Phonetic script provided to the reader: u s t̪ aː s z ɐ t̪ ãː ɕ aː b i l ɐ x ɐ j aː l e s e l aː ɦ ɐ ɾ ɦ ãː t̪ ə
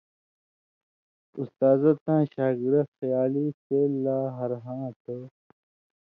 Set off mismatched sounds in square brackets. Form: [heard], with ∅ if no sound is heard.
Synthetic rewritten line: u s t̪ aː [∅] z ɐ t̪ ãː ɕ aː [ɡ] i [ɾ] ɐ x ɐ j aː l [i] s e l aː ɦ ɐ ɾ ɦ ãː t̪ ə